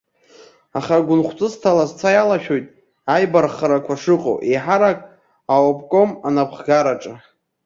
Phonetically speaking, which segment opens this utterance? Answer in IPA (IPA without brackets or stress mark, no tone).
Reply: a